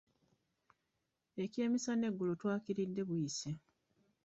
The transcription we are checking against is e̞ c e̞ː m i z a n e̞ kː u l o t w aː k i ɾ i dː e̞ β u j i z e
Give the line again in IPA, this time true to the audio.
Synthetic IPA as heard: e̞ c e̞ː m i s a n e̞ ɡː u l o t w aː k i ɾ i dː e̞ β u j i s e